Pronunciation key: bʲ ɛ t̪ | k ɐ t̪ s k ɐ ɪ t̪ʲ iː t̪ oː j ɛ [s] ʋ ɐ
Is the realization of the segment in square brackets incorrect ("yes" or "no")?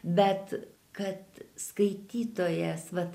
no